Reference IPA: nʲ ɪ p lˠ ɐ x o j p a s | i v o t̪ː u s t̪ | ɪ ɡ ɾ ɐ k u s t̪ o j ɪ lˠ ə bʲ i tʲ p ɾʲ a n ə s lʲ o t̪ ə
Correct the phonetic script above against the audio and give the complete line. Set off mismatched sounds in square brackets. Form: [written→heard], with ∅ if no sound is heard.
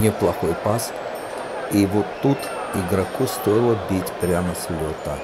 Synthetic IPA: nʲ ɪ p lˠ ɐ x o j p a s | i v o t̪ː u [s→∅] t̪ | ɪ ɡ ɾ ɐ k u s t̪ o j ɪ lˠ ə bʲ i tʲ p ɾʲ a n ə s lʲ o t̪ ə